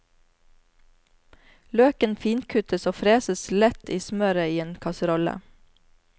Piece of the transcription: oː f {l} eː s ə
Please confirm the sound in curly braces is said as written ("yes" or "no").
no